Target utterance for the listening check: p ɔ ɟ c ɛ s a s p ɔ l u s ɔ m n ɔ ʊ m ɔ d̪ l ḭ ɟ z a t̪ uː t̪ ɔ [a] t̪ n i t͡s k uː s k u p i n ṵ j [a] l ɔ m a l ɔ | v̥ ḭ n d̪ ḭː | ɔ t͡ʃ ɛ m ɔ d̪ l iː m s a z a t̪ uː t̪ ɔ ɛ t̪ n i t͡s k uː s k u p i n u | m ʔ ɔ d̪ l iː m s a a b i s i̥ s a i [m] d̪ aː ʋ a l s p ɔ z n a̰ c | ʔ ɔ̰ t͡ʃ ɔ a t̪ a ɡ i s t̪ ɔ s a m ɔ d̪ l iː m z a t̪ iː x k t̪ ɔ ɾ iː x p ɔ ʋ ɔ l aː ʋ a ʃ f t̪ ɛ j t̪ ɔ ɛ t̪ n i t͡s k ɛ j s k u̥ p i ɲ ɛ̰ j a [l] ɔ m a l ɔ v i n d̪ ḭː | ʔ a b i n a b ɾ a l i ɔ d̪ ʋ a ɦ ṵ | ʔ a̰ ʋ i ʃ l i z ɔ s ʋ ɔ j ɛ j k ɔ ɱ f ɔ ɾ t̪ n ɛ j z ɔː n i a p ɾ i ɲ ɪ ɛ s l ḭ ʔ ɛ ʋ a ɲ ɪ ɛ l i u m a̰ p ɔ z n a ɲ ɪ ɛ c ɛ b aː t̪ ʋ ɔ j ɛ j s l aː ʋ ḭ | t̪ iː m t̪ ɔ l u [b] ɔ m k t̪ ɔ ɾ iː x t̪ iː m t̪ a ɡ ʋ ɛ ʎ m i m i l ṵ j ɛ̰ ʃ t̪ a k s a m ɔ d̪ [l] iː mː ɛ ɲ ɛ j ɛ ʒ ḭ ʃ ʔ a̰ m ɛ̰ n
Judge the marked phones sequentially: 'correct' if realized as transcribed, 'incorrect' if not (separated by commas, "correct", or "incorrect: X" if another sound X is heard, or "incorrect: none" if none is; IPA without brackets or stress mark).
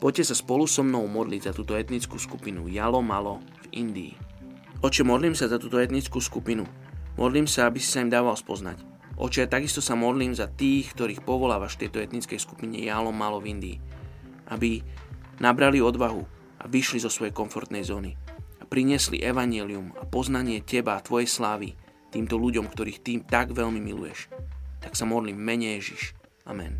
incorrect: ɛ, correct, correct, correct, incorrect: ɟ, correct